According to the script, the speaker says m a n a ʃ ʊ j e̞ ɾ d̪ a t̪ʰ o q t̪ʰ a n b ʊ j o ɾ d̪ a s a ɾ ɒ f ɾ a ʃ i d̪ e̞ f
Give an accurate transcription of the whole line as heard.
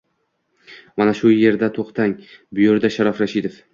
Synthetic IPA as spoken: m a n a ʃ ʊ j e̞ ɾ d̪ a t̪ʰ o q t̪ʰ a ŋ b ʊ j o ɾ d̪ a ʃ a ɾ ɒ f ɾ a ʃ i d̪ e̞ f

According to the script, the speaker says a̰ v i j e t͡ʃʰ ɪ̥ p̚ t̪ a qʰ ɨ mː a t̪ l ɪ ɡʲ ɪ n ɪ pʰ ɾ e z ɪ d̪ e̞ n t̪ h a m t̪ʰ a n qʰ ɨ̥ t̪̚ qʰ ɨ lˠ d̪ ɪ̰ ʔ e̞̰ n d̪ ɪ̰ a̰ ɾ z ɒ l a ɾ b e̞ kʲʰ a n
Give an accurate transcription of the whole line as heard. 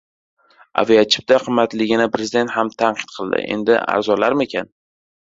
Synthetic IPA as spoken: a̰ v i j a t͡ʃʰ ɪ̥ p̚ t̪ a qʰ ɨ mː a t̪ l ɪ ɡʲ ɪ n ɪ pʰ ɾ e z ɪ d̪ e̞ n t̪ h a m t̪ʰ a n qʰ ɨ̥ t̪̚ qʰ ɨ lˠ d̪ ɪ̰ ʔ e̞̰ n d̪ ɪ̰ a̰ ɾ z ɒ l a ɾ m e̞ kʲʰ a n

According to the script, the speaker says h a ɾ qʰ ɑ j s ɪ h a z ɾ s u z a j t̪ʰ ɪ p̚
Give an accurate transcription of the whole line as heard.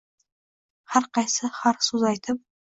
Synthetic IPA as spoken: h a ɾ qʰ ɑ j s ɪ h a ɾ s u z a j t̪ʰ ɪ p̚

